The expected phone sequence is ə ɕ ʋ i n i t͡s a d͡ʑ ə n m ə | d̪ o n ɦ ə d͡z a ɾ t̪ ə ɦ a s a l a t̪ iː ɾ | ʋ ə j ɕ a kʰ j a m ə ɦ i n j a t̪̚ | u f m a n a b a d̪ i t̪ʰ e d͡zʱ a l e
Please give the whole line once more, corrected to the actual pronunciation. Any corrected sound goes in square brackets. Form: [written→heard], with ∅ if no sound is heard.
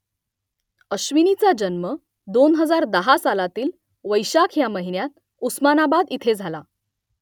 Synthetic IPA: ə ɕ ʋ i n i t͡s a d͡ʑ ə n m ə | d̪ o n ɦ ə d͡z a ɾ [t̪→d̪] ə ɦ a s a l a t̪ iː [ɾ→l] | ʋ ə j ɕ a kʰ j a m ə ɦ i n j a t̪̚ | u [f→s] m a n a b a d̪ i t̪ʰ e d͡zʱ a l [e→a]